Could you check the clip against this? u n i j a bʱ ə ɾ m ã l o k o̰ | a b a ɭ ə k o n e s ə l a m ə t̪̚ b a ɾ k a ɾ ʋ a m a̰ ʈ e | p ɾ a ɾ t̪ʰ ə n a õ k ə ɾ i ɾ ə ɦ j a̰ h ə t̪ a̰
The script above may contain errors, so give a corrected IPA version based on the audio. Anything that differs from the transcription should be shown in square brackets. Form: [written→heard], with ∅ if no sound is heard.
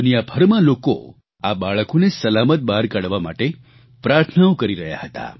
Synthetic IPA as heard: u n i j a bʱ ə ɾ m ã l o k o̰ | a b a ɭ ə k o n e s ə l a m ə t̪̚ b a ɾ k a [ɾ→ɽ] ʋ a m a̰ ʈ e | p ɾ a ɾ t̪ʰ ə n a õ k ə ɾ i ɾ ə ɦ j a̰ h ə t̪ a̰